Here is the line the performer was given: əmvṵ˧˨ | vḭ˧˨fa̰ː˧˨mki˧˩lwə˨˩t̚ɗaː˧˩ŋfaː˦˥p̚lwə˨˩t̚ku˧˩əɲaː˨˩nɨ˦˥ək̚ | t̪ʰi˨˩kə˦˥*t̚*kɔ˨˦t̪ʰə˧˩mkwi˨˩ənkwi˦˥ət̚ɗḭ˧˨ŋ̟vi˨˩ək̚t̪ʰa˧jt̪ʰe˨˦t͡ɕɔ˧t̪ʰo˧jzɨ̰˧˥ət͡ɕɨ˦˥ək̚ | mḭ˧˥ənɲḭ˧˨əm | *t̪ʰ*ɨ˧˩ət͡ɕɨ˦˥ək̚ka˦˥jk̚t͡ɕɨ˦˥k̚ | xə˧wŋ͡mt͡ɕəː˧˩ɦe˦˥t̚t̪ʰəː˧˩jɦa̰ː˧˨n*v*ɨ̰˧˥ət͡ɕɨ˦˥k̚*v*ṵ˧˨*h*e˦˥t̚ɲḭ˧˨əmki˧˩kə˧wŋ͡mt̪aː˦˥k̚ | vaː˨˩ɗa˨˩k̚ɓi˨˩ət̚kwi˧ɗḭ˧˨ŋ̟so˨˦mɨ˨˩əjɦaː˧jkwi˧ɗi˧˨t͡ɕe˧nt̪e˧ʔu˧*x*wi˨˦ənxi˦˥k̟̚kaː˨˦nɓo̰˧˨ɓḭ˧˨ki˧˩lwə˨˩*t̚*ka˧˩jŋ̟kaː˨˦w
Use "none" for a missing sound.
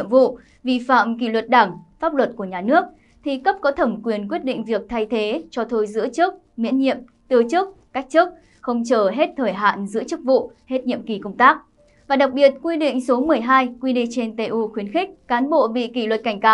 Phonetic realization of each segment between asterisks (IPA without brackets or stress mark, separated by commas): p̚, t̪, z, v, h, x, t̚